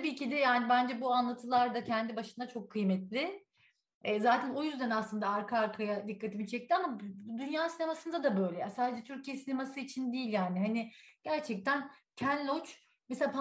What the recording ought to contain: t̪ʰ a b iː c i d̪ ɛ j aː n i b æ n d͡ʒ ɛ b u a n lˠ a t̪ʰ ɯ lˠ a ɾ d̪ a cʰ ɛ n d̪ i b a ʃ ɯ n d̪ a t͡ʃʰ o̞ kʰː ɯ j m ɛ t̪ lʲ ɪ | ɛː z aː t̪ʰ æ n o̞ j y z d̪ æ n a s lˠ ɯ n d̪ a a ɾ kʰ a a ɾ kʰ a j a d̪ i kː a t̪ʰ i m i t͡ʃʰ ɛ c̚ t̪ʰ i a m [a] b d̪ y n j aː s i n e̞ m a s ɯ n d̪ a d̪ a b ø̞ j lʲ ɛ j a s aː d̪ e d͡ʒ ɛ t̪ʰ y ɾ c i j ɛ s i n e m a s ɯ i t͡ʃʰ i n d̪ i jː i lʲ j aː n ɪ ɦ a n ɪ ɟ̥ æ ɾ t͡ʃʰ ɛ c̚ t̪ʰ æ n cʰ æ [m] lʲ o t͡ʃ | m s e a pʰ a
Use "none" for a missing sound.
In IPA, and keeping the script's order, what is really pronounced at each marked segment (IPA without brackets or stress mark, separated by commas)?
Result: a, n